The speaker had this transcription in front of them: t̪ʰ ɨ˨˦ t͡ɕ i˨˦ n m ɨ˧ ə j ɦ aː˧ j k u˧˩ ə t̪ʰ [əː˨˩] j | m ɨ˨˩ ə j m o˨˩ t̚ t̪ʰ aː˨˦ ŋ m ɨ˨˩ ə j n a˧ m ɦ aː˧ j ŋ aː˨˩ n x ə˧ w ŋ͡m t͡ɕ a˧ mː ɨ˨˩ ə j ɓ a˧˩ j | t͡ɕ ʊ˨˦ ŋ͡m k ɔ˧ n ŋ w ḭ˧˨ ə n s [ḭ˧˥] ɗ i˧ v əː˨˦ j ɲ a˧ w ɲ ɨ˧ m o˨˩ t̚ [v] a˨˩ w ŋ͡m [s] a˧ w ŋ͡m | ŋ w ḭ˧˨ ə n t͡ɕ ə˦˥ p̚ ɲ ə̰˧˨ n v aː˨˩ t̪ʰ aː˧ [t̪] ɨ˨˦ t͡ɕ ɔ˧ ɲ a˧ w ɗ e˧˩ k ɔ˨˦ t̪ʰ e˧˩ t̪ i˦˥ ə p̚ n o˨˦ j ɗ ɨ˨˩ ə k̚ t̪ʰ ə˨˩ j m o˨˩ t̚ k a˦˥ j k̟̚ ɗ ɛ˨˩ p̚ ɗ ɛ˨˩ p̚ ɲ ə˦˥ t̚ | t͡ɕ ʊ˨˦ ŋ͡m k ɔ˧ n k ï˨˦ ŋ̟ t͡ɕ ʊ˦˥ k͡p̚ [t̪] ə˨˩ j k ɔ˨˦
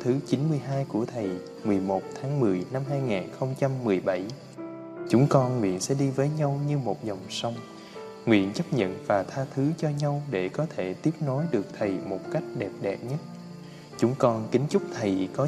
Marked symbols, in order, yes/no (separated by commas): no, no, no, yes, no, no